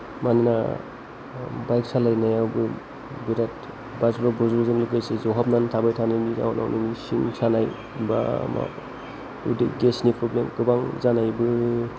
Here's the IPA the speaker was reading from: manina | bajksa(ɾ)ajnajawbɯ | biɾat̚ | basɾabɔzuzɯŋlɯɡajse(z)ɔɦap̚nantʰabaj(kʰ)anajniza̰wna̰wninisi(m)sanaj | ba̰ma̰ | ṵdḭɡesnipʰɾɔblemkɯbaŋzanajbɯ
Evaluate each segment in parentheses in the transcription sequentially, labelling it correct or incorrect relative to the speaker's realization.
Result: incorrect, correct, incorrect, incorrect

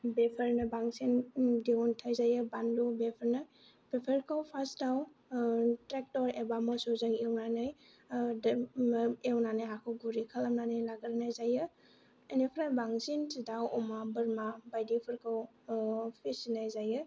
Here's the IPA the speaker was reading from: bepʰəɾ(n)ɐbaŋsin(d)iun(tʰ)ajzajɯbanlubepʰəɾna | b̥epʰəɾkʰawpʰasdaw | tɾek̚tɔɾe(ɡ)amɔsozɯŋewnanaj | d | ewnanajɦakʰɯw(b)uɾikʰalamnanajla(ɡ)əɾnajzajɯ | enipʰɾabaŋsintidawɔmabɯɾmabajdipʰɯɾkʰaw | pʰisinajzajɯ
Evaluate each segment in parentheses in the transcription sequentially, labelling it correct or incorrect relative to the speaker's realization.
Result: correct, correct, correct, incorrect, incorrect, correct

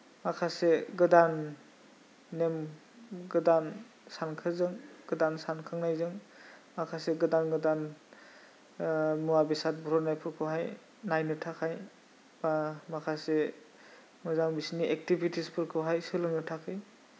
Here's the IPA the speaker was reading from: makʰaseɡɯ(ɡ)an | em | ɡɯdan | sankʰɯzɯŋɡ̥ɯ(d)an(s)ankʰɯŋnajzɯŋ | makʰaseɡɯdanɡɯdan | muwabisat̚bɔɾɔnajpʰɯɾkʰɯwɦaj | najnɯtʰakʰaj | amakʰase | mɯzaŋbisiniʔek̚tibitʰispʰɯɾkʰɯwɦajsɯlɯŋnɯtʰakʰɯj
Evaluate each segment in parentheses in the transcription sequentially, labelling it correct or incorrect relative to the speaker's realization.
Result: incorrect, correct, correct

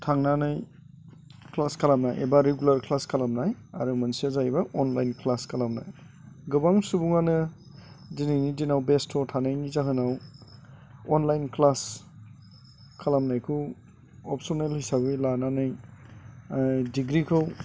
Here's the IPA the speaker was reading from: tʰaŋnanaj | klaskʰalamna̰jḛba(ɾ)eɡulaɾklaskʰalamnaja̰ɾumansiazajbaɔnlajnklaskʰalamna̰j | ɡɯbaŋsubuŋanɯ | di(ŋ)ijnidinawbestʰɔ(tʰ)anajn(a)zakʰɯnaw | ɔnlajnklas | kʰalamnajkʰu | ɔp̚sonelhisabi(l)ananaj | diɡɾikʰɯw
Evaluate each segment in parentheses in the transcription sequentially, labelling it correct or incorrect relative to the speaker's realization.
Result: correct, incorrect, correct, incorrect, correct

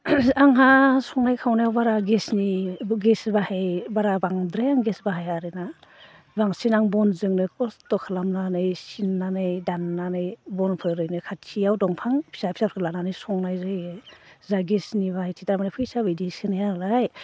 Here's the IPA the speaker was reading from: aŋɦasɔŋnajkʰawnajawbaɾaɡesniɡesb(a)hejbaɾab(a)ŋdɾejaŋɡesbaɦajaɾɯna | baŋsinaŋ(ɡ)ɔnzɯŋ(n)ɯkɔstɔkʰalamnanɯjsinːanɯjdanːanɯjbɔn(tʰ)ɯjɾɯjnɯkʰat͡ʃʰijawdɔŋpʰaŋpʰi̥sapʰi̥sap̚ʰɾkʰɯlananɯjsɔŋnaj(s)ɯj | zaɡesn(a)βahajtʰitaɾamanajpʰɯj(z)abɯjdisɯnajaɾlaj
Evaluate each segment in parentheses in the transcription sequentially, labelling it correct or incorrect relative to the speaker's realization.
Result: correct, correct, incorrect, correct, incorrect, incorrect, incorrect, incorrect

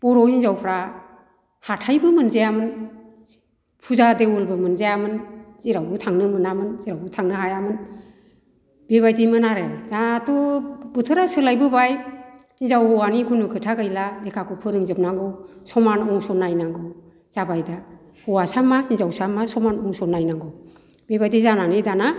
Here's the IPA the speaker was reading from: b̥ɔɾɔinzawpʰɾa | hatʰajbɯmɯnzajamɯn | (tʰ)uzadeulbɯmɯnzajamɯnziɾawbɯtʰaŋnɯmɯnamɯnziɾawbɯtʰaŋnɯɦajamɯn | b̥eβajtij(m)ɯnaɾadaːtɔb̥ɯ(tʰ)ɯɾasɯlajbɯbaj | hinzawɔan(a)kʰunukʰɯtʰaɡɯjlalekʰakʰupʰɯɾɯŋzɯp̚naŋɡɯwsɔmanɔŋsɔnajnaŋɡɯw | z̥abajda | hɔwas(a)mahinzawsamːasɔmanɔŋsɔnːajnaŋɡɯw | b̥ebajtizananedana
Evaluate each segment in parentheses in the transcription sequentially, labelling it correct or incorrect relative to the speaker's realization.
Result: incorrect, correct, correct, incorrect, correct

